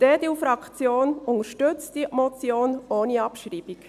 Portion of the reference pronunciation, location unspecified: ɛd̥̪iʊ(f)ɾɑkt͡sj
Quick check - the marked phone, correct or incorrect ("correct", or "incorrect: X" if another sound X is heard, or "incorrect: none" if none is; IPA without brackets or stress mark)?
correct